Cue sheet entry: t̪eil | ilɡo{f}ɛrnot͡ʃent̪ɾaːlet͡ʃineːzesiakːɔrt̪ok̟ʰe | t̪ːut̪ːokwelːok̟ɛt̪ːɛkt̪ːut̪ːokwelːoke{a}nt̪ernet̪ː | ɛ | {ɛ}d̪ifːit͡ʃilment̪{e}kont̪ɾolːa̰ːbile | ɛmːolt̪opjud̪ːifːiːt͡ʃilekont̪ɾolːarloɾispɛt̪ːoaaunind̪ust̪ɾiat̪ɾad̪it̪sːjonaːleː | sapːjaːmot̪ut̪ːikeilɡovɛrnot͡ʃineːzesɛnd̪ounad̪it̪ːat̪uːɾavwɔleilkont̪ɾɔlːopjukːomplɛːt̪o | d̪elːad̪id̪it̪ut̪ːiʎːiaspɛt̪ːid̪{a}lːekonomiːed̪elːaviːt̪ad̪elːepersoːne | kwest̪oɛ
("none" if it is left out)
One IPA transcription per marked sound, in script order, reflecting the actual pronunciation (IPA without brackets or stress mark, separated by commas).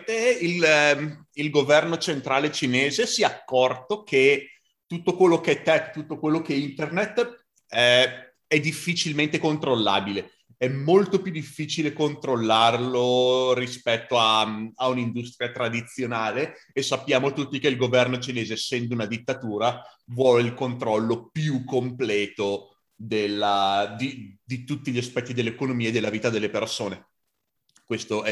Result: v, i, ɛ, e, e